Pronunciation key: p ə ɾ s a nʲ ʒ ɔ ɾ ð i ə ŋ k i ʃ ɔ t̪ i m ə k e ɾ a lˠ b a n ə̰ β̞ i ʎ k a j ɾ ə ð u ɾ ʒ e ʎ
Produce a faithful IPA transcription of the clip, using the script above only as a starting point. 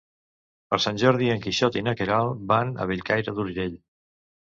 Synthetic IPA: p ə ɾ s a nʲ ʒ ɔ ɾ ð i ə ŋ k i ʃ ɔ t̪ i n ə k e ɾ a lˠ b a n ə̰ β̞ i ʎ k a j ɾ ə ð u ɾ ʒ e ʎ